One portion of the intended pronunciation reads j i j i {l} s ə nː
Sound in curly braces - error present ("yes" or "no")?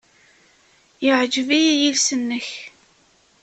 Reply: no